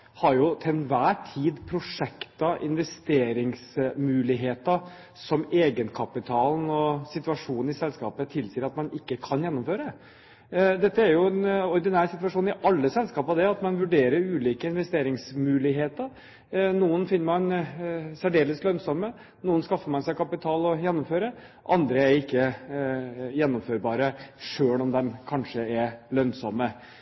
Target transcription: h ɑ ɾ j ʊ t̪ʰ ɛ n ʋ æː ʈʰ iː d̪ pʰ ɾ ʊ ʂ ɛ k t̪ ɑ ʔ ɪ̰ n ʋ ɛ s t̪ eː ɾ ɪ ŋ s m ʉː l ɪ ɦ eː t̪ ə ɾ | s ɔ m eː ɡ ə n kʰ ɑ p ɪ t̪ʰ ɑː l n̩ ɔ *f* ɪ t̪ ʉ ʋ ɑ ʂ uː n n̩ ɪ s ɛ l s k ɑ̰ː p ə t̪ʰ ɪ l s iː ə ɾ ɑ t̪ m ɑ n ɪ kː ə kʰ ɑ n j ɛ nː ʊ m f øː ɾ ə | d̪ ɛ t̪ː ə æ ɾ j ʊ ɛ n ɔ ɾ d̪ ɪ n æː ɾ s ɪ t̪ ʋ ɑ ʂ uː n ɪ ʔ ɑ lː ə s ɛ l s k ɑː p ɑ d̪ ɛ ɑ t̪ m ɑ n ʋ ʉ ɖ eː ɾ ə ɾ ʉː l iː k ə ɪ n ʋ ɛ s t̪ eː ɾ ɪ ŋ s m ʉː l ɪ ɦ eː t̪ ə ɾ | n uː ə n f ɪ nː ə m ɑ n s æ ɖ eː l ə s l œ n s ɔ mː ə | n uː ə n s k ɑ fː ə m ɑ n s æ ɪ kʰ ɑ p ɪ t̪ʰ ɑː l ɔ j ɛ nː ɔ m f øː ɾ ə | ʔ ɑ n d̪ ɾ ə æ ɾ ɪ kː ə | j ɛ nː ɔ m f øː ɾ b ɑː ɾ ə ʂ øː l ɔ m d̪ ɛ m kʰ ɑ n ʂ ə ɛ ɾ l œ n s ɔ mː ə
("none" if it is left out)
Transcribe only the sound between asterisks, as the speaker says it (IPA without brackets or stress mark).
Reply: s